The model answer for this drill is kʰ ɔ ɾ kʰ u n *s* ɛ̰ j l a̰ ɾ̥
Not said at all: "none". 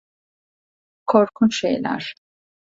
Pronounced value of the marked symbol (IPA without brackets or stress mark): ʃ